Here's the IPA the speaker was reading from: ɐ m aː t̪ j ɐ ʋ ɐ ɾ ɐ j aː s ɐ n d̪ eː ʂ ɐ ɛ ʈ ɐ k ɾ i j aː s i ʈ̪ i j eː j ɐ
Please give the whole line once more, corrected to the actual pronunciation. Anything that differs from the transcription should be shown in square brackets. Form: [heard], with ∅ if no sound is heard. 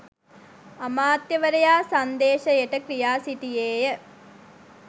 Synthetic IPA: ɐ m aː t̪ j ɐ ʋ ɐ ɾ ɐ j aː s ɐ n d̪ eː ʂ ɐ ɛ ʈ ɐ k ɾ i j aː s i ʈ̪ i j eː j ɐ